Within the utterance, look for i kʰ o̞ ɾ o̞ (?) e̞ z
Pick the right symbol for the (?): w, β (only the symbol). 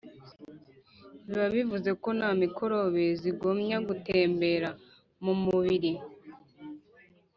β